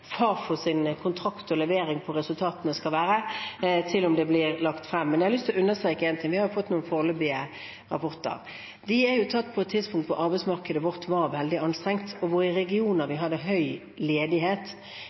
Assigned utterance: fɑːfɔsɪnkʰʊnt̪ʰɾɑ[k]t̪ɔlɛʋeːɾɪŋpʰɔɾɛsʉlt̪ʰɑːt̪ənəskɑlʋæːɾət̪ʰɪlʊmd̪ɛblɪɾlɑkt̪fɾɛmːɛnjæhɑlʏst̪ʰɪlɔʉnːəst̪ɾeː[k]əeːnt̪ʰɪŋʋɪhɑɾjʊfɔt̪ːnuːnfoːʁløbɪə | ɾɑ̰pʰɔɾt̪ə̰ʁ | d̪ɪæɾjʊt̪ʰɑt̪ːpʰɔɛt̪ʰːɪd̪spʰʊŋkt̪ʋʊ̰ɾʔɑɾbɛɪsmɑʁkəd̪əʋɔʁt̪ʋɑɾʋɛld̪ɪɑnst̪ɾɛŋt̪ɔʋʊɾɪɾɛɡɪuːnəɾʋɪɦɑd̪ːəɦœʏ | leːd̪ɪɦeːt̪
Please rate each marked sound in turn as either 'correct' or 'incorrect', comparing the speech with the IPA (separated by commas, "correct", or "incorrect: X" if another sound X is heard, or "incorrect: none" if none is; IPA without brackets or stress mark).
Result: correct, correct